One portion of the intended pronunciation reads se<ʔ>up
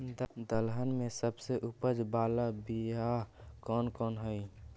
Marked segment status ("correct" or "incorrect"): correct